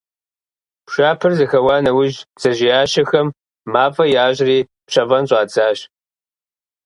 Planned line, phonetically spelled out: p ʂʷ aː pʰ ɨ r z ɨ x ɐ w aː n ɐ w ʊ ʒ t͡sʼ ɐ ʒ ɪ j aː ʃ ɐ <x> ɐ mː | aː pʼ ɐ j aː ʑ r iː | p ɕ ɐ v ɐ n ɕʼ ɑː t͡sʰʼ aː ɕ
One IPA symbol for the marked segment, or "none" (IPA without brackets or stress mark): x